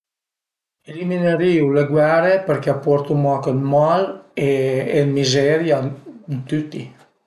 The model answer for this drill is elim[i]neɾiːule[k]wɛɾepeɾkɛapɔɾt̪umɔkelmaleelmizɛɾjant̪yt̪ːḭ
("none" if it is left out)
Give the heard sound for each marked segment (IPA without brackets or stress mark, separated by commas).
i, ɡ